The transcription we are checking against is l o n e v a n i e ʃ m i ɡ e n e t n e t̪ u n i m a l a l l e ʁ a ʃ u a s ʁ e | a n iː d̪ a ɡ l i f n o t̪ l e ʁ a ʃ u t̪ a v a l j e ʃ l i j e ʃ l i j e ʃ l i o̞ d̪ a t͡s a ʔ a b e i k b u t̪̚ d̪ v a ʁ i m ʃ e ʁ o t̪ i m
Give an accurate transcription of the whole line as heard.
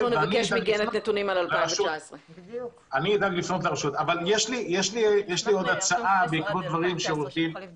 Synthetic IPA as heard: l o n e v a n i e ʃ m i ɡ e n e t n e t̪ u n i m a l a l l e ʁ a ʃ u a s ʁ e | a n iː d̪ a ɡ l i f n o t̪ l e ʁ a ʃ u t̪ a v a l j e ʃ l i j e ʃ l i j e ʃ l i o̞ d̪ a t͡s a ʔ a b e i k b o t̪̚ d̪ v a ʁ i m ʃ e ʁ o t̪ i m